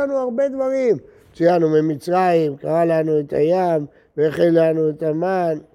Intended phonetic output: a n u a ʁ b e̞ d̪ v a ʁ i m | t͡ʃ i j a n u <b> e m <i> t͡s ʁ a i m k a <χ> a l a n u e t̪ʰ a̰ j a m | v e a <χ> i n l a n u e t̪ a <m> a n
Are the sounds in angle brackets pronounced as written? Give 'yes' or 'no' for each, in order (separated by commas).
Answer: no, yes, no, yes, yes